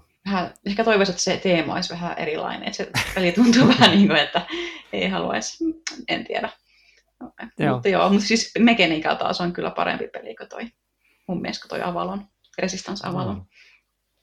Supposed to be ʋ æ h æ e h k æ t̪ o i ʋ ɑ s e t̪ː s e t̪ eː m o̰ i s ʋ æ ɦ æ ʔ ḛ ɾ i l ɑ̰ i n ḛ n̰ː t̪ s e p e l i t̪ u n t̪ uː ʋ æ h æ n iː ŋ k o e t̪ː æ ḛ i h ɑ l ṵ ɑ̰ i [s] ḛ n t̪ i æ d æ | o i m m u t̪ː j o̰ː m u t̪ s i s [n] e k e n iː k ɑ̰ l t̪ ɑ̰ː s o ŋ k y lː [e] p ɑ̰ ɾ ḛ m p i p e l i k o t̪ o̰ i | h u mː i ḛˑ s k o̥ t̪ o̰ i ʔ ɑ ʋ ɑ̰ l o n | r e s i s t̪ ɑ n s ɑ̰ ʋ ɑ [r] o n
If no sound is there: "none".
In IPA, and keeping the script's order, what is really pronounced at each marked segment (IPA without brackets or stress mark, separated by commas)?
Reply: s, m, æ, l